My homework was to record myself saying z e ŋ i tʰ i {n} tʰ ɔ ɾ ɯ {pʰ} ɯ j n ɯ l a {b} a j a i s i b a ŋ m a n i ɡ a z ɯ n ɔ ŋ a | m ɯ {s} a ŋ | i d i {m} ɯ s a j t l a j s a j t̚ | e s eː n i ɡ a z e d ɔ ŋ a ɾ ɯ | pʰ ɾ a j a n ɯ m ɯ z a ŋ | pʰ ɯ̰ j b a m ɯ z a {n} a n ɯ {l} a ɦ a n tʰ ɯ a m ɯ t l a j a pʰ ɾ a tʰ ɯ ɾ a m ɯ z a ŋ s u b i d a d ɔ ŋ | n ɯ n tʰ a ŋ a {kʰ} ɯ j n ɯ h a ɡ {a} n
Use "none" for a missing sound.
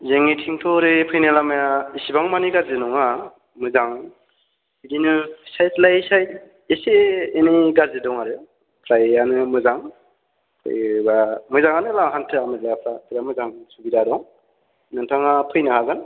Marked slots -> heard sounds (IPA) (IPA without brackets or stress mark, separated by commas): ŋ, pʰ, m, z, n, ŋ, l, pʰ, a